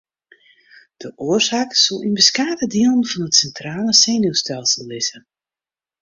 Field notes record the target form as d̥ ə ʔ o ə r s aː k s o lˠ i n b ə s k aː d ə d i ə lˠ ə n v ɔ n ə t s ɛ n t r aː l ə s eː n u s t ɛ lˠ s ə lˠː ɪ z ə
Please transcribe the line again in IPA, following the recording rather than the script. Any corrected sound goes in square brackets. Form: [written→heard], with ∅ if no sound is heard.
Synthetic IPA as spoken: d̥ ə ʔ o ə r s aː k s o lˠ i n b ə s k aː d ə d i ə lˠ ə n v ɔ n ə t s ɛ n t r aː l ə s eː n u s t ɛ lˠ s ə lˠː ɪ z ə